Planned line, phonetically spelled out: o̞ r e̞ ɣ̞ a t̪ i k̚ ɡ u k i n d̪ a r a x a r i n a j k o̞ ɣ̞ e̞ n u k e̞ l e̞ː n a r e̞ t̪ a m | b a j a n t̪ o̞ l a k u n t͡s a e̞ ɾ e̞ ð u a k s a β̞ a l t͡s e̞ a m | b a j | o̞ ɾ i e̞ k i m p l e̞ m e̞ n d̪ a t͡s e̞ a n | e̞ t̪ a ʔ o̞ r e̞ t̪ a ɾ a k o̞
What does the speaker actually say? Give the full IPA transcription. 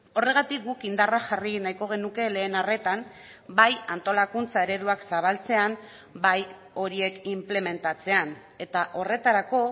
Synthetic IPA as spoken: o̞ r e̞ ɣ̞ a t̪ i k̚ ɡ u k i n d̪ a r a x a r i n a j k o̞ ɣ̞ e̞ n u k e̞ l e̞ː n a r e̞ t̪ a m | b a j a n t̪ o̞ l a k u n t͡s a e̞ ɾ e̞ ð u a k s a β̞ a l t͡s e̞ a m | b a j | o̞ ɾ i e̞ k i m p l e̞ m e̞ n t̪ a t͡s e̞ a n | e̞ t̪ a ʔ o̞ r e̞ t̪ a ɾ a k o̞

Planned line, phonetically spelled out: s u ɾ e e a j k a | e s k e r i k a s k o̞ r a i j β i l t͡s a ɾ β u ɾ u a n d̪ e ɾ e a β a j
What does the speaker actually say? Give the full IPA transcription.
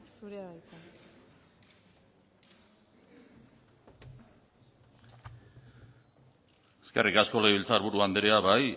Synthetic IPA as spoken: s u ɾ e a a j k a | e s k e r i k a s k o̞ l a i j β i l t͡s a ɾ β u ɾ u a n d̪ e ɾ e a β a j

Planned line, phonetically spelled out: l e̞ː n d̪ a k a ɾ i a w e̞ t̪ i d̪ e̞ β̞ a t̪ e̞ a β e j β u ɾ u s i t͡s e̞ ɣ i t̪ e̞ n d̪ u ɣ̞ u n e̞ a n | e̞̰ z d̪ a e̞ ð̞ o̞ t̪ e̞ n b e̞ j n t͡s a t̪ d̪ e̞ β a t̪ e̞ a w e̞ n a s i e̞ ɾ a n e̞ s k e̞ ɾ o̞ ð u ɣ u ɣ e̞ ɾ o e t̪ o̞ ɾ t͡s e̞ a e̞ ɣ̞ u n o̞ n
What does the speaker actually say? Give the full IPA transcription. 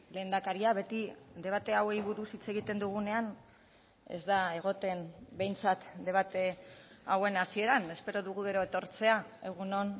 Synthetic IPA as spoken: l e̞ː n d̪ a k a ɾ i a β e̞ t̪ i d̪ e̞ β̞ a t̪ e̞ a w e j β u ɾ u s i t͡s e̞ ɣ i t̪ e̞ n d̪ u ɣ̞ u n e̞ a n | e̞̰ z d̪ a e̞ ɣ̞ o̞ t̪ e̞ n b e̞ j n t͡s a t̪ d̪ e̞ β a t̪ e̞ a w e̞ n a s i e̞ ɾ a n e̞ s p e̞ ɾ o̞ ð u ɣ u ɣ e̞ ɾ o e t̪ o̞ ɾ t͡s e̞ a e̞ ɣ̞ u n o̞ n

